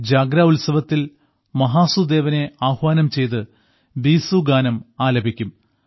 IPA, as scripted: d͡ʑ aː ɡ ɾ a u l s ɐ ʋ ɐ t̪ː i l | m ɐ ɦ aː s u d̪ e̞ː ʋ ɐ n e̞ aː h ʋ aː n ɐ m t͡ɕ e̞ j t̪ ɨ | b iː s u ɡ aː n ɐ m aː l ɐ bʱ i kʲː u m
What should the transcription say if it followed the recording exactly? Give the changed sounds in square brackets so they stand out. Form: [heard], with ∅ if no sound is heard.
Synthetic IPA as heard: d͡ʑ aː ɡ ɾ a u l s ɐ ʋ ɐ t̪ː i l | m ɐ ɦ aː s u d̪ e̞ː ʋ ɐ n e̞ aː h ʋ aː n ɐ m t͡ɕ e̞ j t̪ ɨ | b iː s u ɡ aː n ɐ m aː l ɐ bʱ i kʲː u m